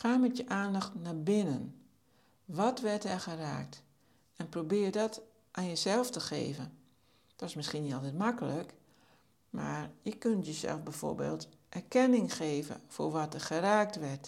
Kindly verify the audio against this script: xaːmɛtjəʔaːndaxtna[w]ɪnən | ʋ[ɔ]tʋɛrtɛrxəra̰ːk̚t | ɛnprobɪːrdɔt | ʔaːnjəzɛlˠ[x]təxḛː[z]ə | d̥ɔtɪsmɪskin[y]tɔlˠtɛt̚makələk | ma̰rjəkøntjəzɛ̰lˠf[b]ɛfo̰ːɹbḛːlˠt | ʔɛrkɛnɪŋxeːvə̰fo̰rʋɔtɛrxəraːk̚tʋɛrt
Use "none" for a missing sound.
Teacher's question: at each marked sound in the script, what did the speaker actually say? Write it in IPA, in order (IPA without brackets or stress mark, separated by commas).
b, ɔ, f, v, i, b